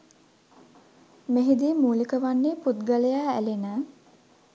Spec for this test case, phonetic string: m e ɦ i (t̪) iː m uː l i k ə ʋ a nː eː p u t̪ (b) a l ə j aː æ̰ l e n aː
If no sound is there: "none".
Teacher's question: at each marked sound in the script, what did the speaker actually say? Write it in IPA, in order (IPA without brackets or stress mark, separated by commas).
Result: d̪, ɡ